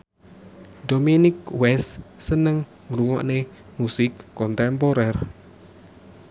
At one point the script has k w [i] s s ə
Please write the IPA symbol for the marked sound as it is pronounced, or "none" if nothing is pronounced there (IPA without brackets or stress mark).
ɛ